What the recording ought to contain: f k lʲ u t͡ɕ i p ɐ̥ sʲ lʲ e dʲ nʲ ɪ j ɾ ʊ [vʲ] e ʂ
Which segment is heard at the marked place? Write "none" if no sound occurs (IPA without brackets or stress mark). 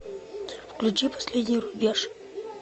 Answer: bʲ